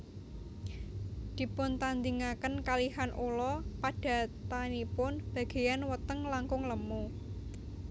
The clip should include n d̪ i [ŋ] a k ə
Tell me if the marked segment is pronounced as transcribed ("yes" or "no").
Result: yes